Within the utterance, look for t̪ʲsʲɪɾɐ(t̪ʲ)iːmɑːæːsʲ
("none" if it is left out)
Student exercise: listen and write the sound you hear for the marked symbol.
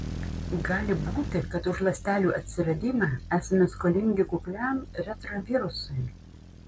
d̪ʲ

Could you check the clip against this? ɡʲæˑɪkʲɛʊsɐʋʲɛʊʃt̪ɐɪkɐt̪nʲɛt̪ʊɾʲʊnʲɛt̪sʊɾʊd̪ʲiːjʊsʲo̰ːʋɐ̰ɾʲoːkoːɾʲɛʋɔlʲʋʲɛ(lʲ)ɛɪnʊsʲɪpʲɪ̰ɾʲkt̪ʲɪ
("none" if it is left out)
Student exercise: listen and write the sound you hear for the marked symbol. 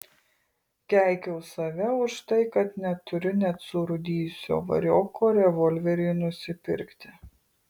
ɾʲ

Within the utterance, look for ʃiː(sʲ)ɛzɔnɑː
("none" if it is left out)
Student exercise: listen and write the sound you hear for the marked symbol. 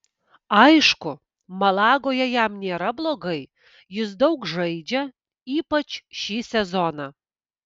sʲ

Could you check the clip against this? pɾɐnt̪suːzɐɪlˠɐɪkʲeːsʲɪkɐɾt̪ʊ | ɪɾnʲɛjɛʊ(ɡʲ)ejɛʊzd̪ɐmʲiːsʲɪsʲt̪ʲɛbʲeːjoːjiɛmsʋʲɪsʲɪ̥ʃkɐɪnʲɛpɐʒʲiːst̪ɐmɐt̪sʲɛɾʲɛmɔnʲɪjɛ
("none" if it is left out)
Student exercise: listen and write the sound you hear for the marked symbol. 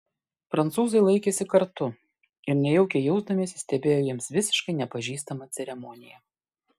kʲ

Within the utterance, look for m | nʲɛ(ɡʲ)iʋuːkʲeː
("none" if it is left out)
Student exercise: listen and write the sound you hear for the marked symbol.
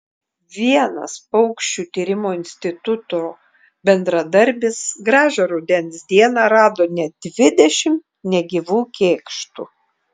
ɡʲ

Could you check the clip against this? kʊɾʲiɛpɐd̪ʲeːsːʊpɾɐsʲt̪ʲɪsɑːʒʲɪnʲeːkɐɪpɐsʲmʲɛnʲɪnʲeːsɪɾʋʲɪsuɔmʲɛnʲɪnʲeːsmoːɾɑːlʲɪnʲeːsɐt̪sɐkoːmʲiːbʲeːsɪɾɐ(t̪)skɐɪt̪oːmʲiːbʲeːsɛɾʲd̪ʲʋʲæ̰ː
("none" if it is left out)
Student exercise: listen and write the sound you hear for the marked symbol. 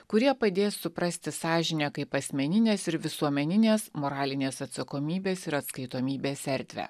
t̪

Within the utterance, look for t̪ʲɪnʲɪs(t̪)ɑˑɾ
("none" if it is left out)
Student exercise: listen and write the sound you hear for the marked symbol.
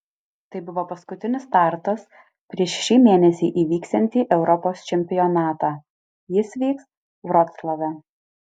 t̪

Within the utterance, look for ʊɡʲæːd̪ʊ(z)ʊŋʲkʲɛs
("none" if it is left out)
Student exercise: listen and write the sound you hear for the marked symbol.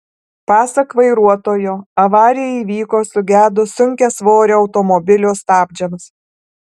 s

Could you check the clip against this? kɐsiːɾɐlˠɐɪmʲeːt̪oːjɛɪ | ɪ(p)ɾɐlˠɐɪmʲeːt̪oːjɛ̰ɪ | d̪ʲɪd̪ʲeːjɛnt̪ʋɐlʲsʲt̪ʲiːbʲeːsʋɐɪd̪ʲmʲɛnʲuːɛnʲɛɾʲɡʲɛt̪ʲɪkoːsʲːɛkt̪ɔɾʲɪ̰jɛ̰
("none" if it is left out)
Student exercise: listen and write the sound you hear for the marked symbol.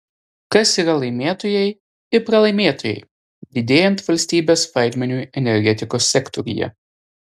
p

